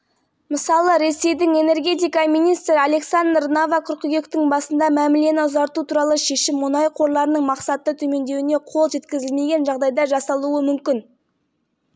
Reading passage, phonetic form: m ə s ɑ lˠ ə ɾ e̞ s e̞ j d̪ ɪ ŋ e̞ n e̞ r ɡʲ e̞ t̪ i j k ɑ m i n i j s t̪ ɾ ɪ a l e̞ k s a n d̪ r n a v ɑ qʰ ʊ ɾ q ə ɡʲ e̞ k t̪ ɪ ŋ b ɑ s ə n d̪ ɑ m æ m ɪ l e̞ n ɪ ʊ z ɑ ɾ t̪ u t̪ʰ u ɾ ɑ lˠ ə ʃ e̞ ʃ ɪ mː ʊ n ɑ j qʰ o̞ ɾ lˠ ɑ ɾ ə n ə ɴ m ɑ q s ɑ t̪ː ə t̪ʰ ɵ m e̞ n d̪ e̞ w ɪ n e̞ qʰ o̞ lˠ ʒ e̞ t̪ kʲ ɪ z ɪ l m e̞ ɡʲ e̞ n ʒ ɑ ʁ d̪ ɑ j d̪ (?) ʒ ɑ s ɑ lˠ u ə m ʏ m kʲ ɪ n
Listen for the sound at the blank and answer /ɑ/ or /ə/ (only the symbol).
ɑ